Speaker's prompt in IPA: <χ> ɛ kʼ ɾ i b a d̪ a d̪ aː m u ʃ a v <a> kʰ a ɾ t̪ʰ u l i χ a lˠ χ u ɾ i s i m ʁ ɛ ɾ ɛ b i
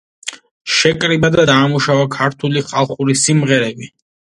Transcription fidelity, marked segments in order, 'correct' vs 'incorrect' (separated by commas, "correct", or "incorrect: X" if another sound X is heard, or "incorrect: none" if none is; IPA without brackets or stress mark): incorrect: ʃ, correct